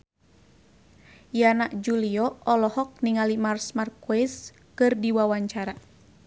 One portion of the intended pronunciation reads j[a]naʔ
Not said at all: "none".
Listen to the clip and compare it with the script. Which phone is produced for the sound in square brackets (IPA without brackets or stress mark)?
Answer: a